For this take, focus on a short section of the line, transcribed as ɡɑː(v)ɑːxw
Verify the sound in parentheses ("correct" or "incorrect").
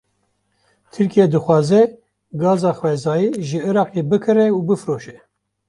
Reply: incorrect